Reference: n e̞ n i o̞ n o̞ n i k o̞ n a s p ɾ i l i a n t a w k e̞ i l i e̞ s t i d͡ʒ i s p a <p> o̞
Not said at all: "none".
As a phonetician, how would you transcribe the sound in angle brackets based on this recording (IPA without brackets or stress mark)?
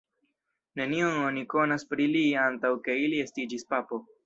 p